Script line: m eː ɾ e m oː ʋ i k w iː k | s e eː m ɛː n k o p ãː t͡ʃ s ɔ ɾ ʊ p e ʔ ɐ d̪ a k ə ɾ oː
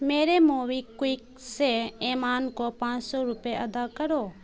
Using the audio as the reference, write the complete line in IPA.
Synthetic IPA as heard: m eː ɾ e m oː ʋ i k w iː k | s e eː m aː n k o p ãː t͡ʃ s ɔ ɾ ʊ p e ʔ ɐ d̪ a k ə ɾ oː